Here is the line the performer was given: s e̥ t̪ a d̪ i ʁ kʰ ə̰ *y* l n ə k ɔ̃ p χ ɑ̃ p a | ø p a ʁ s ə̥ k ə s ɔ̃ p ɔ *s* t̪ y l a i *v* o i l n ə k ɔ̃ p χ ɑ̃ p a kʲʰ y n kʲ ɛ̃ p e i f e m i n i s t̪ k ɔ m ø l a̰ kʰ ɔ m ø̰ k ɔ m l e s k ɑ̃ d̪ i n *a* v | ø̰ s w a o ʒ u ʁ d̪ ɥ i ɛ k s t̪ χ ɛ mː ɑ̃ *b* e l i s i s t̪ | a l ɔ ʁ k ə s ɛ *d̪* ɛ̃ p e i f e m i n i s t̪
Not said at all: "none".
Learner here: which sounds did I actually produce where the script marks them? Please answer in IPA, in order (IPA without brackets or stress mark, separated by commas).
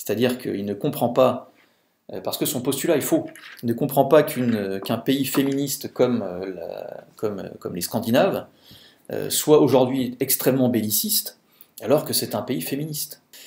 i, s, f, a, b, t̪